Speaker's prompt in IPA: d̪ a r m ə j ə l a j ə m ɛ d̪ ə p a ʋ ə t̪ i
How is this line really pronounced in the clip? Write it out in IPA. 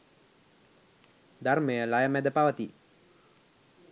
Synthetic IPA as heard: d̪ a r m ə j ə l a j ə m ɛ d̪ ə p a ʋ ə t̪ i